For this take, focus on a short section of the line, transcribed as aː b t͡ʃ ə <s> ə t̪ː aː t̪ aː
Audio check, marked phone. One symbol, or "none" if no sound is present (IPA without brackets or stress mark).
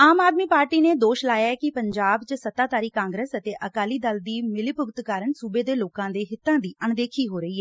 s